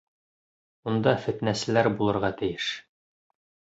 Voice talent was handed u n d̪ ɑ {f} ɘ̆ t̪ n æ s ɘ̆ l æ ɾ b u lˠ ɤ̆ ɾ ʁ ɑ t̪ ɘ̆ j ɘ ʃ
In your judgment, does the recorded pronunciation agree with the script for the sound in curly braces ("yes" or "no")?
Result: yes